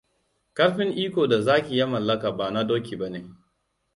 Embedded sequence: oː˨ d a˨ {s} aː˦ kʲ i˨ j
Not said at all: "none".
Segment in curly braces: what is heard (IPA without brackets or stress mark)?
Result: z